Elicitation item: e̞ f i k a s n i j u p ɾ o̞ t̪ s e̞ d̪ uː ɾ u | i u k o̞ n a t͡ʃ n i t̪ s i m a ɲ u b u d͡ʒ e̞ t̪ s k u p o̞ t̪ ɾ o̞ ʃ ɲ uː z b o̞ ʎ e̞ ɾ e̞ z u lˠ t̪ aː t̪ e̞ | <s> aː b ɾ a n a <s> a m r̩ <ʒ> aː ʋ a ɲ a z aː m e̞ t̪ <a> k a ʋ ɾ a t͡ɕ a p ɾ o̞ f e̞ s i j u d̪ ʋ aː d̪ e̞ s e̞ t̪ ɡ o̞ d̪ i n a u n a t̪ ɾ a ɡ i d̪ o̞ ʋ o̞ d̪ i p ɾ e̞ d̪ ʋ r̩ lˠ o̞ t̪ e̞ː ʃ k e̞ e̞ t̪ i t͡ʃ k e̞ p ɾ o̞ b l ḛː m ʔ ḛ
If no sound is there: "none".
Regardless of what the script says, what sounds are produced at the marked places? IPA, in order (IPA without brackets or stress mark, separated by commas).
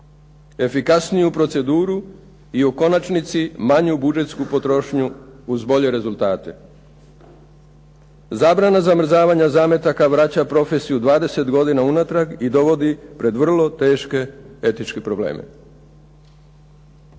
z, z, z, a